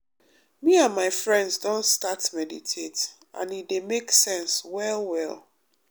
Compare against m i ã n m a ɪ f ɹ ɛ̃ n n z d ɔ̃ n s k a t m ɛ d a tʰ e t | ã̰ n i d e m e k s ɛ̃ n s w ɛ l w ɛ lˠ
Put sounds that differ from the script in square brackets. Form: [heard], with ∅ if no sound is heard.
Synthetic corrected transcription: m i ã n m a ɪ f ɹ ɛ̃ n [d] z d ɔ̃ n s [t] a t m ɛ d [i] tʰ e t | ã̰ n i d e m e k s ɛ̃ n s w ɛ l w ɛ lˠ